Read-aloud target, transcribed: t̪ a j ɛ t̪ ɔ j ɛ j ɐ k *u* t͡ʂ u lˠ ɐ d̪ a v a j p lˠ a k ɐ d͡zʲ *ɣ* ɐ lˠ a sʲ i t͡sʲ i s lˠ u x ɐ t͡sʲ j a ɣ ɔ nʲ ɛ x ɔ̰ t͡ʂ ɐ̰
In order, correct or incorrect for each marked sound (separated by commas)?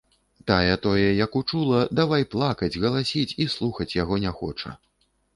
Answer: correct, correct